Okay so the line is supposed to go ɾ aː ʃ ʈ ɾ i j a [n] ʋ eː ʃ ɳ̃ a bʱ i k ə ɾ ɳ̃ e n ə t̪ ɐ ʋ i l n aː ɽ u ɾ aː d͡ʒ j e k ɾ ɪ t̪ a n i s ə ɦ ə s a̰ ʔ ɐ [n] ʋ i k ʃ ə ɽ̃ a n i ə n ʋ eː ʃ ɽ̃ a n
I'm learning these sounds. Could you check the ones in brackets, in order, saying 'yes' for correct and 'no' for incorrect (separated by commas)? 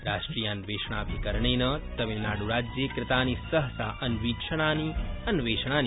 yes, yes